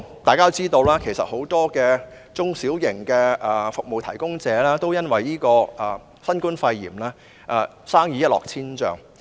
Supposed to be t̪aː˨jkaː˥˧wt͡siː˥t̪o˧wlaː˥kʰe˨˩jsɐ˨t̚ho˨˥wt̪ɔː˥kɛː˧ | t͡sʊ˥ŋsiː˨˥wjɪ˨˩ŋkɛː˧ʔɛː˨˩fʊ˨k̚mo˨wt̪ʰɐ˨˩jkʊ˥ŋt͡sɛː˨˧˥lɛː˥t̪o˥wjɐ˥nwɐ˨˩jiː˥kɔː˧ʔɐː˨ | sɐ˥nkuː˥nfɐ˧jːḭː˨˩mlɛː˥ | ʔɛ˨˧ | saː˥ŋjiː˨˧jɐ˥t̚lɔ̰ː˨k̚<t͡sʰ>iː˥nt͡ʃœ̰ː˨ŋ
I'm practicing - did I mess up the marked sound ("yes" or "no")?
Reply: no